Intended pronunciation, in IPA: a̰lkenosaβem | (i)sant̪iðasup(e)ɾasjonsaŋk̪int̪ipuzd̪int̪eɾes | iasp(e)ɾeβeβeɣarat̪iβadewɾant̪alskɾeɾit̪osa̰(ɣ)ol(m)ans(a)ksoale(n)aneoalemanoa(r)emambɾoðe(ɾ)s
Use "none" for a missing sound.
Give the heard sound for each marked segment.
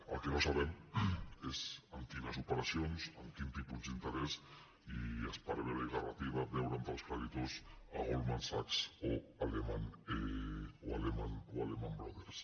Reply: e, e, a, ɣ, m, a, m, l, ɾ

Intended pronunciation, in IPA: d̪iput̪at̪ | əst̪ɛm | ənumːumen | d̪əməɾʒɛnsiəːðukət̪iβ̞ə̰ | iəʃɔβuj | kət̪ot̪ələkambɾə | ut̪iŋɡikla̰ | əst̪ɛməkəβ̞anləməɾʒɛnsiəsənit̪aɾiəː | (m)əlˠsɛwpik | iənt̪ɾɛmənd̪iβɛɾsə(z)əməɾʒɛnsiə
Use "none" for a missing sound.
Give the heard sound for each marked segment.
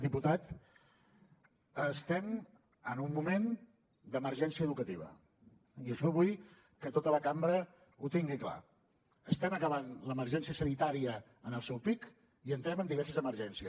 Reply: n, z

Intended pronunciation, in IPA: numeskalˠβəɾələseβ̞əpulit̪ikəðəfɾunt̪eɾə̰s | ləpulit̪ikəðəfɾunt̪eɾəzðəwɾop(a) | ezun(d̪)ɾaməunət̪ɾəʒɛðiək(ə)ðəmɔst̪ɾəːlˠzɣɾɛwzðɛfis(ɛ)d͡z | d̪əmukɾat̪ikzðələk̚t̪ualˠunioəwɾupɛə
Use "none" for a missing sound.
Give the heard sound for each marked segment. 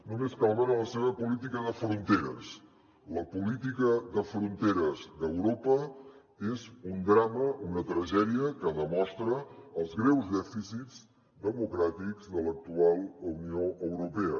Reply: ə, d̪, ə, i

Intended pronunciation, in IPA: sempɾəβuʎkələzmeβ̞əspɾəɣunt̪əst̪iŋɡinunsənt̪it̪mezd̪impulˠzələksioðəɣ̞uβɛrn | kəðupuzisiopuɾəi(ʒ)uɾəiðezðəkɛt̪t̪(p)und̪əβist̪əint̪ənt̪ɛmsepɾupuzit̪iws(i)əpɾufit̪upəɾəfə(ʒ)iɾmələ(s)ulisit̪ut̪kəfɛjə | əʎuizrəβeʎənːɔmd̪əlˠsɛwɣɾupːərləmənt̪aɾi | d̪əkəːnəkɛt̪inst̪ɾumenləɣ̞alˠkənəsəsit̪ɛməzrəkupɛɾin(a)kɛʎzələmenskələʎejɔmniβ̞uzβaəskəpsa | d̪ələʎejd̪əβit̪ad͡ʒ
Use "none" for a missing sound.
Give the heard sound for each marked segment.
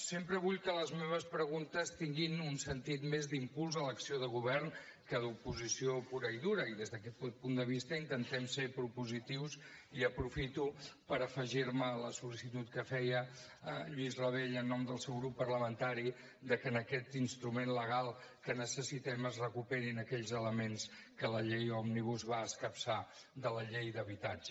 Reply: ð, p, i, ʒ, s, ə

